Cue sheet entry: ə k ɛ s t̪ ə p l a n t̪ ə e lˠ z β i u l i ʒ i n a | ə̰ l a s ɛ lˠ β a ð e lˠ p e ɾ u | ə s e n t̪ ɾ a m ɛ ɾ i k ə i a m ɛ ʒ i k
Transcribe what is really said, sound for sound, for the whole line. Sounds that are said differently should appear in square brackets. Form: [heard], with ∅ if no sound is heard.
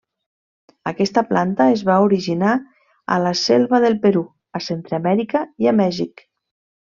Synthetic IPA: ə k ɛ s t̪ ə p l a n t̪ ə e [∅] z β [a] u [ɾ] i ʒ i n a | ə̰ l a s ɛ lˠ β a ð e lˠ p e ɾ u | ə s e n t̪ ɾ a m ɛ ɾ i k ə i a m ɛ ʒ i k